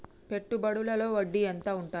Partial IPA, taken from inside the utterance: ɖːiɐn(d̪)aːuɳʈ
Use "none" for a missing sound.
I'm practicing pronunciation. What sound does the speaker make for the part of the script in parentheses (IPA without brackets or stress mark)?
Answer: t̪